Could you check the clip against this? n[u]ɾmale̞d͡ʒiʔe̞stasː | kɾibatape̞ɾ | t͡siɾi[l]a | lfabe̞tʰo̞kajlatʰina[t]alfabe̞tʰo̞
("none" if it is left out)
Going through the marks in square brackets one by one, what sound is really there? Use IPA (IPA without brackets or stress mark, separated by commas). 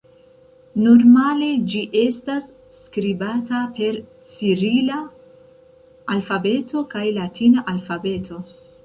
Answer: o, l, ʔ